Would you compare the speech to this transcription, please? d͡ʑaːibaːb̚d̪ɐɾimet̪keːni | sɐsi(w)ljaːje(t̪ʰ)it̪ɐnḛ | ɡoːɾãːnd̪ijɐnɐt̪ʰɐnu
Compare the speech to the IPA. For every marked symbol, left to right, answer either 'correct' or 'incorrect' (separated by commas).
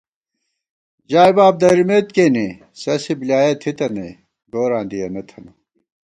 incorrect, correct